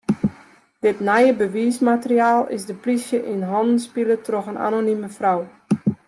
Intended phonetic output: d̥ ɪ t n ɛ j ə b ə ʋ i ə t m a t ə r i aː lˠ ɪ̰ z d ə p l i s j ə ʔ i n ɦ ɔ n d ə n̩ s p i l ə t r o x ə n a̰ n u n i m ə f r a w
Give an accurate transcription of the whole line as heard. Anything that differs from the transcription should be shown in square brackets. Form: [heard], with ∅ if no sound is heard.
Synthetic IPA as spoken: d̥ ɪ t n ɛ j ə b ə ʋ i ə [s] m a t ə r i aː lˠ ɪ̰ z d ə p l i s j ə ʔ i n ɦ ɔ n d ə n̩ s p i l ə t r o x ə n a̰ n [o] n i m ə f r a w